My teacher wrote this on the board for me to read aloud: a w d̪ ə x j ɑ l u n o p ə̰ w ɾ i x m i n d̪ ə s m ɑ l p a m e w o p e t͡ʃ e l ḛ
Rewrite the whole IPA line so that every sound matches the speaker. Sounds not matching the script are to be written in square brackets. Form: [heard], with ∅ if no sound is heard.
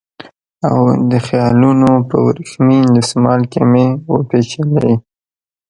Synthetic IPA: a w d̪ ə x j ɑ l u n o p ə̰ w ɾ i x m i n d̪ ə s m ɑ l [k] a m e w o p e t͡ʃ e l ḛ